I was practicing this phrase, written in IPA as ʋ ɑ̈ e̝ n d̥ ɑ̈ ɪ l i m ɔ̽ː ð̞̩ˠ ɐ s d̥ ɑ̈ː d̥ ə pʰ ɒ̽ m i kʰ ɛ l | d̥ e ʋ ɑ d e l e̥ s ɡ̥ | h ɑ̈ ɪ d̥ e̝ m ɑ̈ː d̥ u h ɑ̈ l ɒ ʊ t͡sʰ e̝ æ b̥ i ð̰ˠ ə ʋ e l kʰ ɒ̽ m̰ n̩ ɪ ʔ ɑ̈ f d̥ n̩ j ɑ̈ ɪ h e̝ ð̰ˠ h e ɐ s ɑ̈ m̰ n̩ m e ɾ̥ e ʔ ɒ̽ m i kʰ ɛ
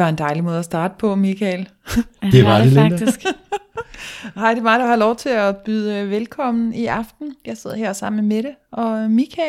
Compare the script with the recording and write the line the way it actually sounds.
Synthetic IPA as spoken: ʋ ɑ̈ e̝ n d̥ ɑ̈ ɪ l i m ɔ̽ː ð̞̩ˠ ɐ s d̥ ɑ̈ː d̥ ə pʰ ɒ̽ m i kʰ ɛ l | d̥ e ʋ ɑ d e l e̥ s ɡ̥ | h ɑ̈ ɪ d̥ e̝ m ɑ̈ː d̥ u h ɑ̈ l ɒ ʊ t͡sʰ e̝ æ b̥ y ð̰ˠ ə ʋ e l kʰ ɒ̽ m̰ n̩ i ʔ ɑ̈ f d̥ n̩ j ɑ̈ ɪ s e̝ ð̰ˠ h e ɐ s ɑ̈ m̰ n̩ m e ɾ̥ e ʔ ɒ̽ m i kʰ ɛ